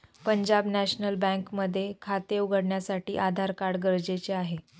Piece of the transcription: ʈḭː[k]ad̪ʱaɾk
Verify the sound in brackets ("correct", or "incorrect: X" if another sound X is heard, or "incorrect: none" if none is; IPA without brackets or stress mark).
incorrect: ʔ